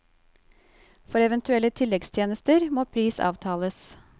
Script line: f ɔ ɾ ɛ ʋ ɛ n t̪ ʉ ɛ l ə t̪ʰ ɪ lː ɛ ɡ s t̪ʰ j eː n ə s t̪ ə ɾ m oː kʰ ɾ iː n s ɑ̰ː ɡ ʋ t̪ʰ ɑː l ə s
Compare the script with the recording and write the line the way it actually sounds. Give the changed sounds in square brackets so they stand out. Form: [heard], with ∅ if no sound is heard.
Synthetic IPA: f ɔ ɾ ɛ ʋ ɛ n t̪ ʉ ɛ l ə t̪ʰ ɪ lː ɛ ɡ s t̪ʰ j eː n ə s t̪ ə ɾ m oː [pʰ] ɾ iː [∅] s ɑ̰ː [∅] ʋ t̪ʰ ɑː l ə s

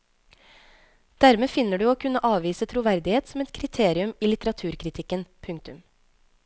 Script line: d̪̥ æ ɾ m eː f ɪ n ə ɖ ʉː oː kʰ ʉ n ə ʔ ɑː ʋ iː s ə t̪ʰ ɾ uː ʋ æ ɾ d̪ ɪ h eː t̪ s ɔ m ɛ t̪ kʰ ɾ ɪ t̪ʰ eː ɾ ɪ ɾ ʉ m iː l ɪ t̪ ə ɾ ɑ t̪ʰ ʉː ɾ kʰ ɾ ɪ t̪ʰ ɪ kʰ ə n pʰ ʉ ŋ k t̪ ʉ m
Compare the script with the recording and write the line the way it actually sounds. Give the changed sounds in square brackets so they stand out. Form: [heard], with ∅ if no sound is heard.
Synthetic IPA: d̪̥ æ ɾ m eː f ɪ n ə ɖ ʉː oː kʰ ʉ n ə ʔ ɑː ʋ iː s ə t̪ʰ ɾ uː ʋ æ ɾ d̪ ɪ h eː t̪ s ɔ m ɛ t̪ kʰ ɾ ɪ t̪ʰ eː ɾ ɪ [∅] ʉ m iː l ɪ t̪ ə ɾ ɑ t̪ʰ ʉː ɾ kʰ ɾ ɪ t̪ʰ ɪ [k] ə n pʰ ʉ ŋ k t̪ ʉ m

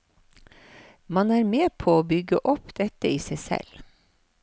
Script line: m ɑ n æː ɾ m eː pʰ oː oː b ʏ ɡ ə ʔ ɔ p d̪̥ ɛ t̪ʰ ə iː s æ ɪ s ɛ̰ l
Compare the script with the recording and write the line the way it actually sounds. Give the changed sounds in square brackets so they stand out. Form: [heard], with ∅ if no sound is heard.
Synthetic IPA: m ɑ n æː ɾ m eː pʰ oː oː b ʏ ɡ ə ʔ ɔ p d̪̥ ɛ [t̪] ə iː s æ ɪ s ɛ̰ l

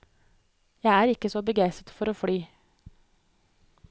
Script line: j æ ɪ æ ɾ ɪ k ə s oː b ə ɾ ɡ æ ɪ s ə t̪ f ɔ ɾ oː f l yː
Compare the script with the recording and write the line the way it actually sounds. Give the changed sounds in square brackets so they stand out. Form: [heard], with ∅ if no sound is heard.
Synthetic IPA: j æ ɪ [æː] ɾ ɪ k ə s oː b ə [∅] ɡ æ ɪ s ə t̪ f ɔ ɾ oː f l yː

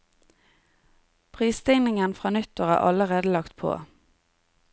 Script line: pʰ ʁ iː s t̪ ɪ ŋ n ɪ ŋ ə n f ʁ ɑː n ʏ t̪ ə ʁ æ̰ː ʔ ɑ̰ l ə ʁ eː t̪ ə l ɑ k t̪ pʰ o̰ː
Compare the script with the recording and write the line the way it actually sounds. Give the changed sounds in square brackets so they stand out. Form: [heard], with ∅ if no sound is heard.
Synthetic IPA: pʰ ʁ iː s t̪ ɪ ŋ n ɪ ŋ ə n f ʁ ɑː n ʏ t̪ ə ʁ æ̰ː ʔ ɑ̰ l ə ʁ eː [d̪] ə l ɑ k t̪ pʰ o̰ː

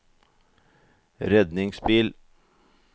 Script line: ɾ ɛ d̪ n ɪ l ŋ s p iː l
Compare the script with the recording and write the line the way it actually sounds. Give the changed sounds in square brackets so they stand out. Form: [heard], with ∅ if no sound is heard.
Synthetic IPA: ɾ ɛ d̪ n ɪ [∅] ŋ s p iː l

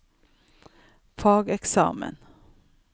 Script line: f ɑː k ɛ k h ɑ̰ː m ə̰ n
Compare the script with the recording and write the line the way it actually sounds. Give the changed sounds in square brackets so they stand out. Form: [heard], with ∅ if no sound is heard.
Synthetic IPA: f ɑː [ɡ] ɛ k [s] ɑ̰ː m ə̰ n

